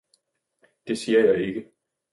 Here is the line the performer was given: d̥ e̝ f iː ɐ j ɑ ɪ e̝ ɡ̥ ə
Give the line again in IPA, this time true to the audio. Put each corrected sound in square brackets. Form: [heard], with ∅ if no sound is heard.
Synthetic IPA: d̥ e̝ [s] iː ɐ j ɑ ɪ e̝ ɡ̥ ə

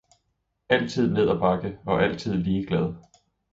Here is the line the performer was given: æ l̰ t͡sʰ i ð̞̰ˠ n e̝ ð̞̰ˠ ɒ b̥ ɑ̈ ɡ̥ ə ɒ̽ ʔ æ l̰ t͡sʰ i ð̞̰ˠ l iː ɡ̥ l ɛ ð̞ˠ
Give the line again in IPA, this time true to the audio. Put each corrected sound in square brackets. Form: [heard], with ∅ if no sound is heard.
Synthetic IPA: æ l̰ t͡sʰ i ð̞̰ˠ n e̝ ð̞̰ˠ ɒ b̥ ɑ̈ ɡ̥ ə ɒ̽ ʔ æ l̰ t͡sʰ i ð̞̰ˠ l iː ɡ̥ l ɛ ð̞ˠ

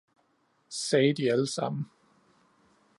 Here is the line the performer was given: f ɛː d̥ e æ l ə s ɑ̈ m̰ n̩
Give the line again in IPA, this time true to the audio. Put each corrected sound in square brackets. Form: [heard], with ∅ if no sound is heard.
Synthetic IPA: [s] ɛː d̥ [i] æ l ə s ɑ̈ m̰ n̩

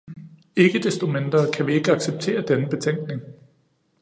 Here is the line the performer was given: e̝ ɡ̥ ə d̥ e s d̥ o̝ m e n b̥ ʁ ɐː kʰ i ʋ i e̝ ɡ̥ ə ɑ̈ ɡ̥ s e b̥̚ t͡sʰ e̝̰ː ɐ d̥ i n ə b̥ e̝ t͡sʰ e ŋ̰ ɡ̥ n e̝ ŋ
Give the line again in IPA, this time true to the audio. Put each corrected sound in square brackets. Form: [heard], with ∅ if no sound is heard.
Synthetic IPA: e̝ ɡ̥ ə d̥ e s d̥ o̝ m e n [d̥] ʁ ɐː kʰ [æ] ʋ i e̝ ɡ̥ ə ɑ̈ ɡ̥ s e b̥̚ t͡sʰ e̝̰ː ɐ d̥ [e] n ə b̥ e̝ t͡sʰ e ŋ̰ ɡ̥ n e̝ ŋ

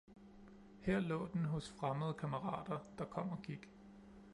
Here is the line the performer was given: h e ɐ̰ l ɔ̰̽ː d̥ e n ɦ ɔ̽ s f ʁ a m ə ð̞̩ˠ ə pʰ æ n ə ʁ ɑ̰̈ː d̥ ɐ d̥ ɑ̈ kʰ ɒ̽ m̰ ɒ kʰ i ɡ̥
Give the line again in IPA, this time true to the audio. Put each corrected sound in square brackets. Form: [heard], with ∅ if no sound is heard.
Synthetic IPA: h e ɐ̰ l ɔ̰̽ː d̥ e n ɦ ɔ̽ s f ʁ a m ə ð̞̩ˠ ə [kʰ] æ [m] ə ʁ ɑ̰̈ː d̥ ɐ d̥ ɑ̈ kʰ ɒ̽ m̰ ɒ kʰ i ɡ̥

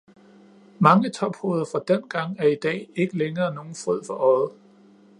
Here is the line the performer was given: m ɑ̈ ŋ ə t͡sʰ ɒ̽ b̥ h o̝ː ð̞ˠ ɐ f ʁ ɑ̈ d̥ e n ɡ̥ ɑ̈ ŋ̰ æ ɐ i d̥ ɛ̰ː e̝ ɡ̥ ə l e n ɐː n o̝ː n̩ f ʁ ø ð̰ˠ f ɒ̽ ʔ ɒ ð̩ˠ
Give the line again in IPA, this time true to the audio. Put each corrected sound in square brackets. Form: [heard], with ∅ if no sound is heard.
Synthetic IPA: m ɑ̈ ŋ ə t͡sʰ ɒ̽ b̥ h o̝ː ð̞ˠ ɐ f ʁ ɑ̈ d̥ e n ɡ̥ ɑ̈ ŋ̰ æ ɐ i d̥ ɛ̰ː e̝ ɡ̥ ə l e [ŋ] ɐː n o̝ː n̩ f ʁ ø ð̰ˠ f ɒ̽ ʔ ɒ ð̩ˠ

